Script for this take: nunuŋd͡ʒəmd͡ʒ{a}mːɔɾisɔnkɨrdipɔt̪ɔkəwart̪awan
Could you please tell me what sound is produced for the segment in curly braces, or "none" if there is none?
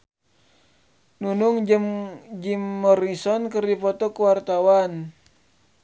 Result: i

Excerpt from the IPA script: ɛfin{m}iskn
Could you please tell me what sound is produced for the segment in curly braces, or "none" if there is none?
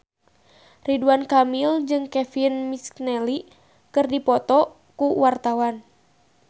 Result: m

